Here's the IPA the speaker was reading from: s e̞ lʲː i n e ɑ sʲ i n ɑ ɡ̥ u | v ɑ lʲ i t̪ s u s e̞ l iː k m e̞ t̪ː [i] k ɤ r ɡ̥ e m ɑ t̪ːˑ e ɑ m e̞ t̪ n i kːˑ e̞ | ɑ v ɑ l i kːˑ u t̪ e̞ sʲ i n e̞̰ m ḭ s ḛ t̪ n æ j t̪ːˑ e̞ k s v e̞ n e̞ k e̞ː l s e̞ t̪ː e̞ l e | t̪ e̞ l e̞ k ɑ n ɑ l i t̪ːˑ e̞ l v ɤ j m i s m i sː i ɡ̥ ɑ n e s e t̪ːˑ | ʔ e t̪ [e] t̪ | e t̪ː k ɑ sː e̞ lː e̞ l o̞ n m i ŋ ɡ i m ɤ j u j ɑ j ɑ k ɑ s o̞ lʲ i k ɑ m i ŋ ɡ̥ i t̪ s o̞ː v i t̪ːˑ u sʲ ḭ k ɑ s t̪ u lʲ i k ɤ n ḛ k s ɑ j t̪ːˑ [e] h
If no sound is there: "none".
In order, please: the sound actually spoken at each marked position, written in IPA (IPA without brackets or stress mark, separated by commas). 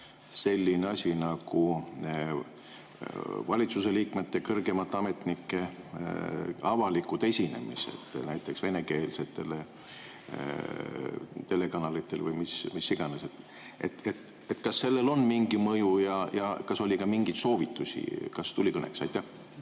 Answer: e, e, æ